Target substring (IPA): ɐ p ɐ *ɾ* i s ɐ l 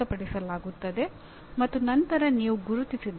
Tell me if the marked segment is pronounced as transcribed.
no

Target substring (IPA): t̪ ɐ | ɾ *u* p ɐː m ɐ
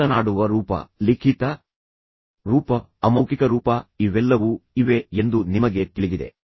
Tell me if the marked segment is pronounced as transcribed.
no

